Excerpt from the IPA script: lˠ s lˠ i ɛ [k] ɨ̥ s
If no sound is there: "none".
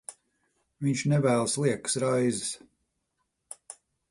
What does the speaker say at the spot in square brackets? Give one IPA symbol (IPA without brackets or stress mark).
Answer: k